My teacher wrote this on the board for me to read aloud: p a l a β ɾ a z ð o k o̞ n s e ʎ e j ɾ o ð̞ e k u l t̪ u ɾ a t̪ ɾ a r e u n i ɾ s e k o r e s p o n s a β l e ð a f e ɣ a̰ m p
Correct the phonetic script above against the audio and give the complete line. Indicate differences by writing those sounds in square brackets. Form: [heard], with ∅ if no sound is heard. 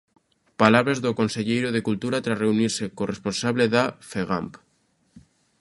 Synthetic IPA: p a l a β ɾ a z ð o k o̞ n s e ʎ e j ɾ o ð̞ e k u l t̪ u ɾ a t̪ ɾ a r e u n i ɾ s e k o r e s p o n s a β l e ð a f e ɣ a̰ m p

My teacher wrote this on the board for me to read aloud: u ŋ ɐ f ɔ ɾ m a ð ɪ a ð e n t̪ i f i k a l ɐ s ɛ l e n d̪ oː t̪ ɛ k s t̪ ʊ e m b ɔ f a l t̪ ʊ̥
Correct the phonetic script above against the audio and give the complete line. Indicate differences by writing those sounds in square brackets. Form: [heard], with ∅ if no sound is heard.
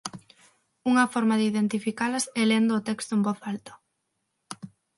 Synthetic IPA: u ŋ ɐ f ɔ ɾ m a ð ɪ [i] ð e n t̪ i f i k a l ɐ s ɛ l e n d̪ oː t̪ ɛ k s t̪ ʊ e m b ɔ [θ] a l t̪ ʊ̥

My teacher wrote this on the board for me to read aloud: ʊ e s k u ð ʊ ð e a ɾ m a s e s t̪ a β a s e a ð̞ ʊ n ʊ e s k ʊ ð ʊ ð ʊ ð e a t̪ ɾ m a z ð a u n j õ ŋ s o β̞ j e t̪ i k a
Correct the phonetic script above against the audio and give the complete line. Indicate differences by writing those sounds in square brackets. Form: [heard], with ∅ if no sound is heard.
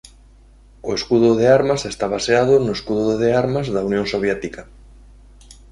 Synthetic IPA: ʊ e s k u ð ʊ ð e a ɾ m a s e s t̪ a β a s e a ð̞ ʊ n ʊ e s k [u] ð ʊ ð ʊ ð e a [∅] ɾ m a z ð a u n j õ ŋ s o β̞ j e t̪ i k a

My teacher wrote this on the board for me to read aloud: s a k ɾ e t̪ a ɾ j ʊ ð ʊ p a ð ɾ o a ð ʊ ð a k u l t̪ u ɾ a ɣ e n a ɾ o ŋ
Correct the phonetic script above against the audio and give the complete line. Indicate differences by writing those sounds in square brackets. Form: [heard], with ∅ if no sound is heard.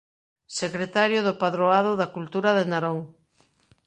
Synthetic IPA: s [e] k ɾ e t̪ a ɾ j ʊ ð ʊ p a ð ɾ o a ð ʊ ð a k u l t̪ u ɾ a [ð] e n a ɾ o ŋ

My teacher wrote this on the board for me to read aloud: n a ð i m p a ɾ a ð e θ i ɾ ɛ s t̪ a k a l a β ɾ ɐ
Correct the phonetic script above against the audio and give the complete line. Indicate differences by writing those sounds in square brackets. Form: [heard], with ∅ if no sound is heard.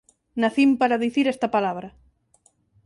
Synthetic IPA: n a [θ] i m p a ɾ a ð [i] θ i ɾ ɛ s t̪ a [p] a l a β ɾ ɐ

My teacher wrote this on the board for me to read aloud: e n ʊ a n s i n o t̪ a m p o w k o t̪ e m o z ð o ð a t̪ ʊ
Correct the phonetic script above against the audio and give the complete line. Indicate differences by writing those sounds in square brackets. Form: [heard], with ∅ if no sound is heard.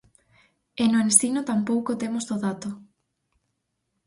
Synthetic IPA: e n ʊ [e] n s i n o t̪ a m p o w k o t̪ e m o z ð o ð a t̪ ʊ

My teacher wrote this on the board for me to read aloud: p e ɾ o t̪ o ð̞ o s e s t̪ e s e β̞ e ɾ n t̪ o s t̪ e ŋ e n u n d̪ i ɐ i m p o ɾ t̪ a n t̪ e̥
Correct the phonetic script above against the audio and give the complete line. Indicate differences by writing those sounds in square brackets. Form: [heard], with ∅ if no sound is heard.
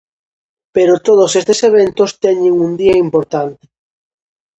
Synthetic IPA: p e ɾ o t̪ o ð̞ o s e s t̪ e s e β̞ e [∅] n t̪ o s t̪ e [ɲ] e [ŋ] u n d̪ i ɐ i m p o ɾ t̪ a n t̪ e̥

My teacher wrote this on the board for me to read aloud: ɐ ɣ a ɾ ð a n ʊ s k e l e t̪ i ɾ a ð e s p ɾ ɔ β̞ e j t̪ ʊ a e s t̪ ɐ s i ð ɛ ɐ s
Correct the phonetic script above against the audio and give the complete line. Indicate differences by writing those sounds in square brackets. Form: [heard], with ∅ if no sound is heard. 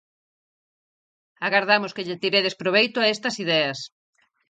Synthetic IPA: [a] ɣ a ɾ ð a [m] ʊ s k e [ʎ] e t̪ i ɾ [e] ð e s p ɾ [o] β̞ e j t̪ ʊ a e s t̪ ɐ s i ð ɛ ɐ s

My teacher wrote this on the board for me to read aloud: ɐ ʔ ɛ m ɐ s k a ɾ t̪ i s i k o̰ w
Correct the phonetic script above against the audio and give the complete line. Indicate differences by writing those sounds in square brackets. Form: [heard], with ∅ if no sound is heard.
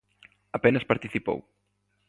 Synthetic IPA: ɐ [p] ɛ [n] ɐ s [p] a ɾ t̪ i [θ] i [p] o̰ w

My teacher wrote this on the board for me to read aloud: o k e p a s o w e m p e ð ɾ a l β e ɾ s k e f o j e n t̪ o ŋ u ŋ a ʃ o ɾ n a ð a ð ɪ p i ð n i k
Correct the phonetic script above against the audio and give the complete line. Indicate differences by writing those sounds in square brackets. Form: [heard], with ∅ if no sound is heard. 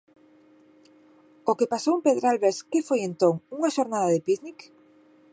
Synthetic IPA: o k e p a s o w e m p e ð ɾ a l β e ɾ s k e f o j e n t̪ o ŋ u ŋ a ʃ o ɾ n a ð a ð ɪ p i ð n i k

